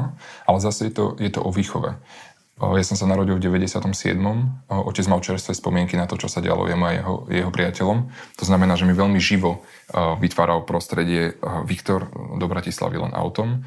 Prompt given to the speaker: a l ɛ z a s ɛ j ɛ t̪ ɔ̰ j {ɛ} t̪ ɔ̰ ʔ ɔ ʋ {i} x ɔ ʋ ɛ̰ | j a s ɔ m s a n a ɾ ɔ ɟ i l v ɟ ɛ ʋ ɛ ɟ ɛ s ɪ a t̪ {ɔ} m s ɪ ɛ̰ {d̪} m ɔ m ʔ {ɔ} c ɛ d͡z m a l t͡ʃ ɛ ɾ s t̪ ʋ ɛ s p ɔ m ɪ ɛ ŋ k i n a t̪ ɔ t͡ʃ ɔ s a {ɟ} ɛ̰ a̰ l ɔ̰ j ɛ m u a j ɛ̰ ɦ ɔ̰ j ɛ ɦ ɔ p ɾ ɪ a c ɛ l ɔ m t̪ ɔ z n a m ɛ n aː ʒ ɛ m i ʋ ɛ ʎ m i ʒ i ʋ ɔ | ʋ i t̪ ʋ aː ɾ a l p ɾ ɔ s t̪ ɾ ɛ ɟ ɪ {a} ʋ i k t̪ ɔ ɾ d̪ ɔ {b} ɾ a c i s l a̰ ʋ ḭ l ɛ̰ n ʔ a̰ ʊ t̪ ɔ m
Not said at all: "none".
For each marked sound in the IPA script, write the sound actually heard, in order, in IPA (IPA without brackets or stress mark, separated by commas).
ɛ, iː, ɔ, d̪, ɔ, ɟ, ɛ, b